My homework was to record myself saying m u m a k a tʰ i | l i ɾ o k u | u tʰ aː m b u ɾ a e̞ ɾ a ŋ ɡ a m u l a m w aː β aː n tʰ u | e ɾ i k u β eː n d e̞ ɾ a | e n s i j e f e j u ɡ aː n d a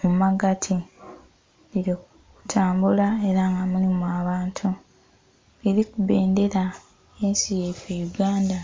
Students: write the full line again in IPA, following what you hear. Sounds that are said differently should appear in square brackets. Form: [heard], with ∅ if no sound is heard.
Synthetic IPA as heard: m u m a [ɡ] a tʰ i | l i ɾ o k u | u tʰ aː m b u [l] a e̞ ɾ a ŋ ɡ a m u l [i] m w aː β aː n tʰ u | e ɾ i k u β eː n d e̞ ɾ a | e n s i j e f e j u ɡ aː n d a